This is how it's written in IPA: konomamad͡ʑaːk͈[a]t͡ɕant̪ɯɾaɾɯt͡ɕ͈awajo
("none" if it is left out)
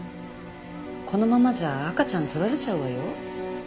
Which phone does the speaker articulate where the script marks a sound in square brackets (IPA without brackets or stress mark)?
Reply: a